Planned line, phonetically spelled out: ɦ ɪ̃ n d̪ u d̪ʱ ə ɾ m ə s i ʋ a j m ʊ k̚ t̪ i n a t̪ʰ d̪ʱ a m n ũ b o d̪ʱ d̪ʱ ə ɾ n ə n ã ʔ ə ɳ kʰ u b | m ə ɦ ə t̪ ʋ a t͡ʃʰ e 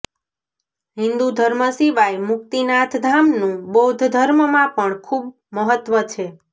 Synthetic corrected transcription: ɦ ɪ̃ n d̪ u d̪ʱ ə ɾ m ə s i ʋ a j m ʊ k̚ t̪ i n a t̪ʰ d̪ʱ a m n ũ b o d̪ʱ d̪ʱ ə ɾ m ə m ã p ə ɳ kʰ u b | m ə ɦ ə t̪ ʋ ə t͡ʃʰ e